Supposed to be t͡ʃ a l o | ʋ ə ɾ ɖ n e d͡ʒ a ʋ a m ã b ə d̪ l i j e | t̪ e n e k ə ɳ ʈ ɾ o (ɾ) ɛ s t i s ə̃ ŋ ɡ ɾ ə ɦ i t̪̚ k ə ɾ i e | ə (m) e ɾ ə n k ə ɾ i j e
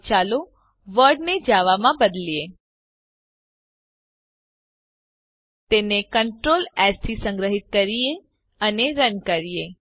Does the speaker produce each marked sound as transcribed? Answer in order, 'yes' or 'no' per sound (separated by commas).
no, no